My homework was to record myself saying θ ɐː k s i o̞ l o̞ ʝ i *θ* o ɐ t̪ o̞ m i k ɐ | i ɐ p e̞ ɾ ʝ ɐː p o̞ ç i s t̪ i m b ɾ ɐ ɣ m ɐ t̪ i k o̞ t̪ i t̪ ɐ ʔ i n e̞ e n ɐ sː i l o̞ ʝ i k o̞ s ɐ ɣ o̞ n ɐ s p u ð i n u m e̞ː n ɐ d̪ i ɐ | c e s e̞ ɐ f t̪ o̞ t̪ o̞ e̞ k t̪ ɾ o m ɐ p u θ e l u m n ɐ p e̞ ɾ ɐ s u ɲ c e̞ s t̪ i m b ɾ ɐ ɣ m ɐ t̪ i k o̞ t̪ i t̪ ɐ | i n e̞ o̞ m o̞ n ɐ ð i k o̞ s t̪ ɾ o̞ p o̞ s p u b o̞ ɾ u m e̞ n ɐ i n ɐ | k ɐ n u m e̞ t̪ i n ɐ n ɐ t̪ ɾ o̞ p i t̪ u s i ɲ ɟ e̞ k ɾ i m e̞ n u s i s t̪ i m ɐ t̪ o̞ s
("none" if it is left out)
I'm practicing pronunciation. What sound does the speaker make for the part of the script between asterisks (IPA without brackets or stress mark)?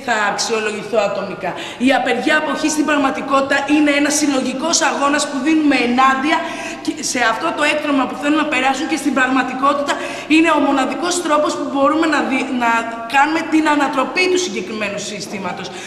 θ